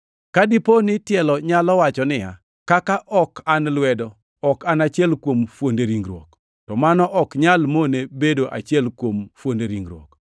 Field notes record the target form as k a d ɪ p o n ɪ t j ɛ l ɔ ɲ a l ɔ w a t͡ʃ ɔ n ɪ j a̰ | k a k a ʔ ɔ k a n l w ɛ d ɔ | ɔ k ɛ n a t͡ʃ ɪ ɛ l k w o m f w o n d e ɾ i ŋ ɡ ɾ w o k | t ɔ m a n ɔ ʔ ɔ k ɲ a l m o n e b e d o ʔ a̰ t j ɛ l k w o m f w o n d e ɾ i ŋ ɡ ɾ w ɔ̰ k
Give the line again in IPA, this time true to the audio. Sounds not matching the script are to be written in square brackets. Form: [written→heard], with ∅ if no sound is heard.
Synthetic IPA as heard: k a d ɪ p o n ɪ t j ɛ l ɔ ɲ a l ɔ w a t͡ʃ ɔ n ɪ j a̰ | k a k a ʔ ɔ k a n l w ɛ d ɔ | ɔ k [ɛ→a] n a t͡ʃ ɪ ɛ l k w o m f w o n d e ɾ i ŋ ɡ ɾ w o k | t ɔ m a n ɔ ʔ ɔ k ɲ a l m o n e b e d o ʔ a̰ [t→t͡ʃ] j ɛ l k w o m f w o n d e ɾ i ŋ ɡ ɾ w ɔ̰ k